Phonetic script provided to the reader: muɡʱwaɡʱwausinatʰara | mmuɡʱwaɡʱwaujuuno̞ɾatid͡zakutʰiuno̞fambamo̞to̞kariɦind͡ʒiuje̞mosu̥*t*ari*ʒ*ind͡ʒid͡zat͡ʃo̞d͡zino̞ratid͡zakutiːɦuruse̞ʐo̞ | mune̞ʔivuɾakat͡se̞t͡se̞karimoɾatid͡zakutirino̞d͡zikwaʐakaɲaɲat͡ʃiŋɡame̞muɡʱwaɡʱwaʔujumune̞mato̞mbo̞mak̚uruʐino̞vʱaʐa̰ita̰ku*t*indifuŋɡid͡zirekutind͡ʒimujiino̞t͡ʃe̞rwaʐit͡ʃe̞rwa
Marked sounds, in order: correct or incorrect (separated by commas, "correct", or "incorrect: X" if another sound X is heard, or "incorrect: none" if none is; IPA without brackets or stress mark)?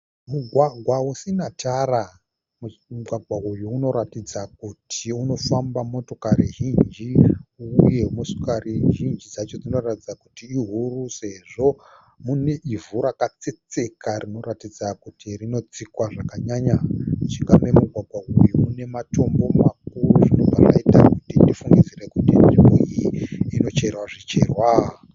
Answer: incorrect: k, correct, correct